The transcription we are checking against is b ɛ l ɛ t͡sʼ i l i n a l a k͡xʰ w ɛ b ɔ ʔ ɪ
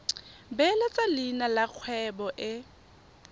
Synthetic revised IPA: b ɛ l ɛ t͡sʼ a l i n a l a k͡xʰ w ɛ b ɔ ʔ ɪ